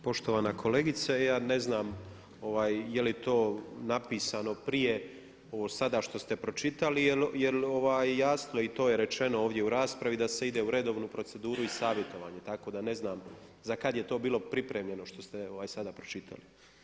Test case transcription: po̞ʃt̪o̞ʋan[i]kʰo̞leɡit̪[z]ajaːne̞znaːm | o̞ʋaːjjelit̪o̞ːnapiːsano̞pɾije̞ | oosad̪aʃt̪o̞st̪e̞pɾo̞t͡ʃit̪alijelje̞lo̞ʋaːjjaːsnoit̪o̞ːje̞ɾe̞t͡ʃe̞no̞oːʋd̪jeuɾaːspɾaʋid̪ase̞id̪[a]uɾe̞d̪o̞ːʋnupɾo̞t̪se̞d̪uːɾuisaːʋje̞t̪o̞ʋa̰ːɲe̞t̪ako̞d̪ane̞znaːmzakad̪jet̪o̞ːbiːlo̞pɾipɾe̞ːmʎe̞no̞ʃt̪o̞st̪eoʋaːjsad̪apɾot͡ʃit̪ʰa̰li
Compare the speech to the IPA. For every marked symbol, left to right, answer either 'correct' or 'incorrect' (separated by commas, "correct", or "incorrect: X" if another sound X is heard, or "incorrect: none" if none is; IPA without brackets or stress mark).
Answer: incorrect: a, incorrect: s, incorrect: e